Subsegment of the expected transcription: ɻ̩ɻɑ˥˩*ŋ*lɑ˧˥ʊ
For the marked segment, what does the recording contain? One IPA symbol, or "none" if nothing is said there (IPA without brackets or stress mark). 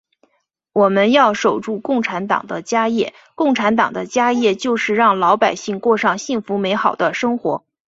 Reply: ŋ